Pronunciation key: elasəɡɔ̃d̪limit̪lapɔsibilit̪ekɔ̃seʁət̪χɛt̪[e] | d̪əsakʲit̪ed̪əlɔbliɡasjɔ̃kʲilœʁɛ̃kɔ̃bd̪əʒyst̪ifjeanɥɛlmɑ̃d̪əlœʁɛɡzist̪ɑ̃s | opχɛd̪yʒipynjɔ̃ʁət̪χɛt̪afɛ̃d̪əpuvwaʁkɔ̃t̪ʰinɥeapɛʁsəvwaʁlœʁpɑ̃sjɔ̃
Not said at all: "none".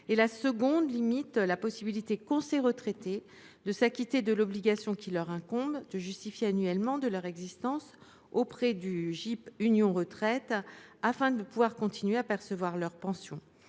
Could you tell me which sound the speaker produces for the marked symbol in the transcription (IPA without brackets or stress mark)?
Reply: e